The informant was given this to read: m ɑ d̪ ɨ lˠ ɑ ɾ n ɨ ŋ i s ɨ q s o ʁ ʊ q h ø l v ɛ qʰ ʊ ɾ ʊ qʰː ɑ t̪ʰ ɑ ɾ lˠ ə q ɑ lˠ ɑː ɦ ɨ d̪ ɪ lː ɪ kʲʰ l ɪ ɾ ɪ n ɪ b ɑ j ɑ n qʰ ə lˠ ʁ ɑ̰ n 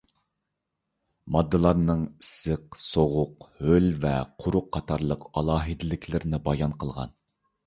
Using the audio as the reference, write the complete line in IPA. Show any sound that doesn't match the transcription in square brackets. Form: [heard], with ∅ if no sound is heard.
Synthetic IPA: m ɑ [d̪ː] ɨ lˠ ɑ ɾ n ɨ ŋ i s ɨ q s o ʁ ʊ q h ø l v ɛ qʰ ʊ ɾ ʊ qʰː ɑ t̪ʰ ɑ ɾ lˠ ə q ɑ lˠ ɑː ɦ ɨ d̪ ɪ [l] ɪ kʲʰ l ɪ ɾ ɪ n ɪ b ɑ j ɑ n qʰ ə lˠ ʁ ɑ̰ n